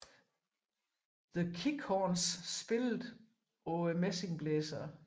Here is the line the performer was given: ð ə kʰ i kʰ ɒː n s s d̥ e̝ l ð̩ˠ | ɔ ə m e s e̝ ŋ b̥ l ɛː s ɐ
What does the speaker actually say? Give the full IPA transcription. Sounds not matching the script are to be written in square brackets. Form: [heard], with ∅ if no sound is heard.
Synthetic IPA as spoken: ð ə kʰ i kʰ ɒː n s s [b̥] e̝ l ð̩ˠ | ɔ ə m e s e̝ ŋ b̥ l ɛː s ɐ